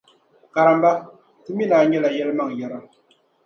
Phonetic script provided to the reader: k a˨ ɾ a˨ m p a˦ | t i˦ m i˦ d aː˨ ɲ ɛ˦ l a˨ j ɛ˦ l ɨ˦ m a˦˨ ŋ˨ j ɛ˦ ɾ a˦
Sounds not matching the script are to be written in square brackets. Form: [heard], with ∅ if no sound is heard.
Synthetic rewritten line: k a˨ ɾ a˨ m [b] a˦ | t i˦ m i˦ [n] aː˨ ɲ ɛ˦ l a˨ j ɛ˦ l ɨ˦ m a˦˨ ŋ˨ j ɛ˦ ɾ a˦